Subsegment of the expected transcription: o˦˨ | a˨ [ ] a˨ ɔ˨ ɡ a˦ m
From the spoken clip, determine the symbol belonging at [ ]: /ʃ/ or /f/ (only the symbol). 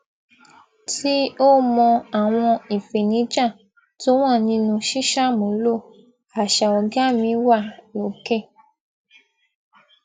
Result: ʃ